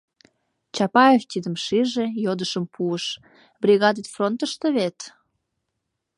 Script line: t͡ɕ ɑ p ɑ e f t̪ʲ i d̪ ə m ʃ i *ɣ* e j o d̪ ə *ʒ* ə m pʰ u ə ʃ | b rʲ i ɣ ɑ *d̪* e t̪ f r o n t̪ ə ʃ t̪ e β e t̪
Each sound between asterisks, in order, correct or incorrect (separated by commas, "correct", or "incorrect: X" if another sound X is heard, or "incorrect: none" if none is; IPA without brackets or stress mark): incorrect: ʒ, incorrect: ʃ, correct